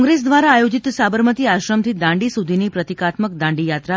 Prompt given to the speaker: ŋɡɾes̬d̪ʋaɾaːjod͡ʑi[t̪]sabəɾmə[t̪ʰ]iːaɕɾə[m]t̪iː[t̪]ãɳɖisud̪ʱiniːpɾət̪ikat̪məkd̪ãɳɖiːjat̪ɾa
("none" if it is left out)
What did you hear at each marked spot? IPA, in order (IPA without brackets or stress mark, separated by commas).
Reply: t̪, t̪, m, d̪